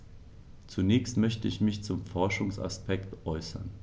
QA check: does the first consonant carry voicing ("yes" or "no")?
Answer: no